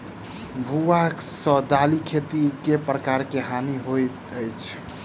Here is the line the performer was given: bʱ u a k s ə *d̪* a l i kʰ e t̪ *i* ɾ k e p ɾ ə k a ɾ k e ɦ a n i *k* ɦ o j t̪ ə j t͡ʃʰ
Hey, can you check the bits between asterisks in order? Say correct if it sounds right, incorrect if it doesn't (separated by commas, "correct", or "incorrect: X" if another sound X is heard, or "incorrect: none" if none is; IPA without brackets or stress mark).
correct, correct, incorrect: none